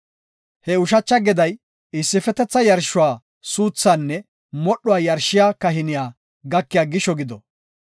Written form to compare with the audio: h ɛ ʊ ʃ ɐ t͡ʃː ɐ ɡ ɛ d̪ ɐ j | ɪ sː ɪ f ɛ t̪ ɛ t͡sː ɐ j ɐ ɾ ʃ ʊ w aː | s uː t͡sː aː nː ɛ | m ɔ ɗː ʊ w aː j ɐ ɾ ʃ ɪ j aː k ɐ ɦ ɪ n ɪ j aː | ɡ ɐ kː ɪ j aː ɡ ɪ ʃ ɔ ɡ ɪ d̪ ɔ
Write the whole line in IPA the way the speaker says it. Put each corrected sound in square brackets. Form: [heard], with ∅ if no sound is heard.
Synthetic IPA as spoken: h ɛ ʊ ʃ ɐ t͡ʃː ɐ ɡ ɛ d̪ ɐ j | ɪ sː ɪ f ɛ t̪ ɛ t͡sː ɐ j ɐ ɾ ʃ ʊ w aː | s uː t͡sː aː nː ɛ | m ɔ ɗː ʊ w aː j ɐ ɾ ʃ ɪ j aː k ɐ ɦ ɪ n ɪ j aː | ɡ ɐ kː ɪ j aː ɡ ɪ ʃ ɔ ɡ ɪ d̪ ɔ